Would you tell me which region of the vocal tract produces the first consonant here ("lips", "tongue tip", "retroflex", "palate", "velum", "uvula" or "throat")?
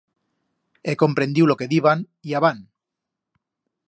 velum